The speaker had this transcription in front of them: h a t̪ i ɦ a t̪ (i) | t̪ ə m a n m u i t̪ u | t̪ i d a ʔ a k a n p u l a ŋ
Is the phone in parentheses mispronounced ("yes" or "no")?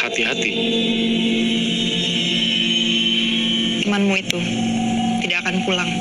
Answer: no